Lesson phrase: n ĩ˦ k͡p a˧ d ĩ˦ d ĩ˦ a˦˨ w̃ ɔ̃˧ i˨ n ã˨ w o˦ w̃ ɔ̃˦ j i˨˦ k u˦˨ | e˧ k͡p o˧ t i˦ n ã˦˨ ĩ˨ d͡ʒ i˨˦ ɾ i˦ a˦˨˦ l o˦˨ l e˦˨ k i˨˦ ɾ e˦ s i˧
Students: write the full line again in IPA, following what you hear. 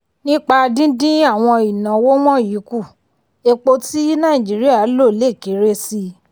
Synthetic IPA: n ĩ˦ k͡p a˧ d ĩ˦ d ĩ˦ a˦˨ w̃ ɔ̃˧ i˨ n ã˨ w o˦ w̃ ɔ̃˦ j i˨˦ k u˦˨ | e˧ k͡p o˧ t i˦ n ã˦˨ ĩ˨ d͡ʒ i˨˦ ɾ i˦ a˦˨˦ l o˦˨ l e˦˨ k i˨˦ ɾ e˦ s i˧